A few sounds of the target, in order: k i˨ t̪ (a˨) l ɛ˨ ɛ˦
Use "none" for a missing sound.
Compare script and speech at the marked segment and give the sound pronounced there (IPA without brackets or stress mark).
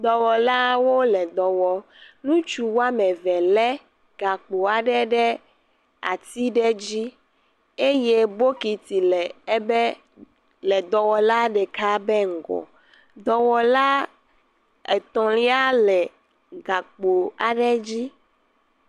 i˨